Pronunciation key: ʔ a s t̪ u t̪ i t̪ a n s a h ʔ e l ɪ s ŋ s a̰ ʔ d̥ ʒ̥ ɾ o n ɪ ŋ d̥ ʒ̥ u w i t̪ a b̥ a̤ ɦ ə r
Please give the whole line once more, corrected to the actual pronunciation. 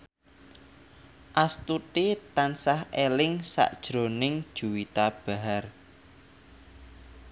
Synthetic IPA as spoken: ʔ a s t̪ u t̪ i t̪ a n s a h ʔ e l ɪ ŋ s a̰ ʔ d̥ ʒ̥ ɾ o n ɪ ŋ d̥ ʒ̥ u w i t̪ a b̥ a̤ ɦ a r

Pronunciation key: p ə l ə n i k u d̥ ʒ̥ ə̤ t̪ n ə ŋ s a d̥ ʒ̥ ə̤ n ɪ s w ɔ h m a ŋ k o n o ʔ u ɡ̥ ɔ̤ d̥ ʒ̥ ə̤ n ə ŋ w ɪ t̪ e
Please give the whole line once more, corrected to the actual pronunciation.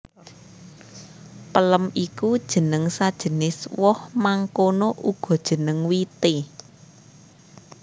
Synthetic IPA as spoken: p ə l ə m i k u d̥ ʒ̥ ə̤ n ə ŋ s a d̥ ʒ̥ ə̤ n ɪ s w ɔ h m a ŋ k o n o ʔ u ɡ̥ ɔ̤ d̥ ʒ̥ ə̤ n ə ŋ w i t̪ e

